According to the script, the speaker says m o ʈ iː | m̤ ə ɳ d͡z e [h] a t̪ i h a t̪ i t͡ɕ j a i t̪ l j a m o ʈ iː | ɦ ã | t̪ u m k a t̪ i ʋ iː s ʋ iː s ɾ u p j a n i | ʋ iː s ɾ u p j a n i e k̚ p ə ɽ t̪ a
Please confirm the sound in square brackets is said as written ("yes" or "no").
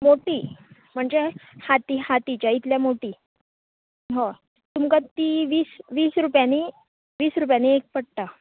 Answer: yes